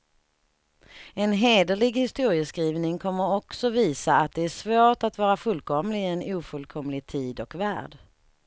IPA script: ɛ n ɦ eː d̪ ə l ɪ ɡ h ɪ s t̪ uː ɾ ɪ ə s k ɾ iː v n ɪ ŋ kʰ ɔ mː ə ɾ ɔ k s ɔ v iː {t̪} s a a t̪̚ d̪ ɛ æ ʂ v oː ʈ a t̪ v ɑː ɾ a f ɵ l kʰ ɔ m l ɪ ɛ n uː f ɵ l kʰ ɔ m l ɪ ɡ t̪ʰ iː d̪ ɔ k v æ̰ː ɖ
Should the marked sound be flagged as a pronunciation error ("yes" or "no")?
yes